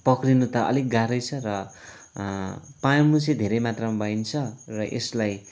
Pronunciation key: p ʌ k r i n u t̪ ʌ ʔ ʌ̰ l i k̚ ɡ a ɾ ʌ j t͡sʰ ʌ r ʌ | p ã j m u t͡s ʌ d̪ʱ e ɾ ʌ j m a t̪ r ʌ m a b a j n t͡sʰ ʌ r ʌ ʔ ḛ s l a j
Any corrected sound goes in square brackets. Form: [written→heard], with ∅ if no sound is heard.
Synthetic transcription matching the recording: p ʌ k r i n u t̪ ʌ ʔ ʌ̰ l i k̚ ɡ a ɾ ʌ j t͡sʰ ʌ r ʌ | p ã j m u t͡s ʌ d̪ʱ e ɾ ʌ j m a t̪ r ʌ m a b a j n t͡sʰ ʌ r ʌ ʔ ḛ s l a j